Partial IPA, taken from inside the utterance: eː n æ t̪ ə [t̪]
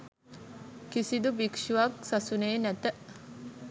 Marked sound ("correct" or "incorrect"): incorrect